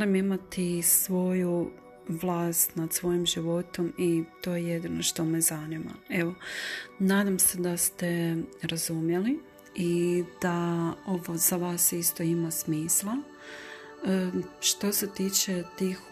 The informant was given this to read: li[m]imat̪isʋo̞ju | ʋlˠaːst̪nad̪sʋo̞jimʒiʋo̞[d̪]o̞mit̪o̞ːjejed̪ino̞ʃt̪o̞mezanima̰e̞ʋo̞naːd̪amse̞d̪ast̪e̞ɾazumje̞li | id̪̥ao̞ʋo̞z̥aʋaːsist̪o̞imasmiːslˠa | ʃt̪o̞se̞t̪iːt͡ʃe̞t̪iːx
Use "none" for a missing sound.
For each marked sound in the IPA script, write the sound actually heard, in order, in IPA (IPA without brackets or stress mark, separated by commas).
m, t̪